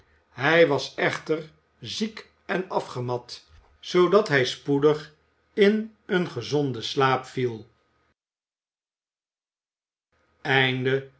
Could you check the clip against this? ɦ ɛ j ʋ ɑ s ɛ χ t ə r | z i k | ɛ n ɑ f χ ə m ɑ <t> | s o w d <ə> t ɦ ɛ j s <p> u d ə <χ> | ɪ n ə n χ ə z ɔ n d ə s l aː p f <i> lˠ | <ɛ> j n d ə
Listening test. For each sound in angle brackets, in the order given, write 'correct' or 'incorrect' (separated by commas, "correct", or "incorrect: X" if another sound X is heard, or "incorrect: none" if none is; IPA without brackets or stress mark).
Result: correct, incorrect: ɑ, correct, correct, correct, correct